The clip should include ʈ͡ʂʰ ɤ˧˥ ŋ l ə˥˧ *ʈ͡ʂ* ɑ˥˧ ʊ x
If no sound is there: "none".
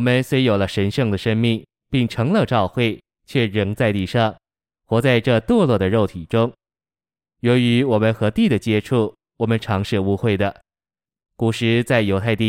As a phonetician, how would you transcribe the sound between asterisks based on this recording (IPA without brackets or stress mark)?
ʈ͡ʂ